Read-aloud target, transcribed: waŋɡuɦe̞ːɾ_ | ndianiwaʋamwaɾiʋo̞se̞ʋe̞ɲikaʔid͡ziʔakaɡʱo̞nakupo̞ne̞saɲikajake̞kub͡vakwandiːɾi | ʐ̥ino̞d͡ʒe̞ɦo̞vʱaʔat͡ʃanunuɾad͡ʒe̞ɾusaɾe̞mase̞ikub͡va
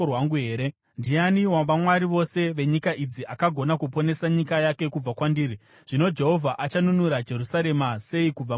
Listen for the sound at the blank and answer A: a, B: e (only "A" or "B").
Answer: B